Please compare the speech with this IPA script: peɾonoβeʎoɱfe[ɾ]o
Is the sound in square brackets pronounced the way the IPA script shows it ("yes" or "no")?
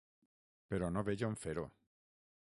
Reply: yes